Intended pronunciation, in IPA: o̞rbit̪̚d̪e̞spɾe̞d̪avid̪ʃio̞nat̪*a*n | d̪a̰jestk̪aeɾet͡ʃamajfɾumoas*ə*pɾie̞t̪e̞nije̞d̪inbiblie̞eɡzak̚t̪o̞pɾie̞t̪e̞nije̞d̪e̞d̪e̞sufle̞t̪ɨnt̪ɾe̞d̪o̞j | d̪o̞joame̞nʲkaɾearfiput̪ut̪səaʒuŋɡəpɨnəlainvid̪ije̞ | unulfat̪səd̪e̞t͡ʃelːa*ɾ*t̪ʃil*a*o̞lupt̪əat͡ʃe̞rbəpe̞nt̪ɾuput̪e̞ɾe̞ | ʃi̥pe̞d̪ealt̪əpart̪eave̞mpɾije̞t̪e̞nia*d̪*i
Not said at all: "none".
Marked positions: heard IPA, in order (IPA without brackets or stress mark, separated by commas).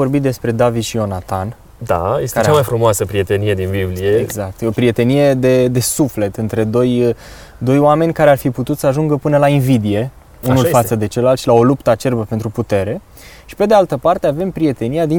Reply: a, ə, l, a, d̪